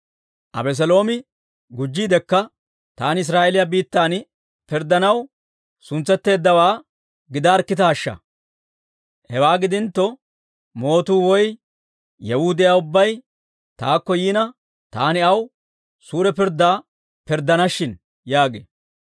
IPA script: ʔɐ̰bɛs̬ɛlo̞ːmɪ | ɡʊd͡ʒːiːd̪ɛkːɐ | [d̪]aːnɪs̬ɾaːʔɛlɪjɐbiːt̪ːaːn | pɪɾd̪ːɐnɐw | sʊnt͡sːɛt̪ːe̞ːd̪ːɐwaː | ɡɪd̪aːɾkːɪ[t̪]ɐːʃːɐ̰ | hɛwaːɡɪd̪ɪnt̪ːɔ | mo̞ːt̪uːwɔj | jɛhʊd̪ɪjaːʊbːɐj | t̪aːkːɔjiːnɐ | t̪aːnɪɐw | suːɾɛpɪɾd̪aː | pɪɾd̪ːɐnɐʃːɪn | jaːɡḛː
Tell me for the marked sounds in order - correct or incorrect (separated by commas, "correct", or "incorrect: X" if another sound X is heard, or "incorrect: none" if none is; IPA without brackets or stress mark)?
incorrect: t̪, correct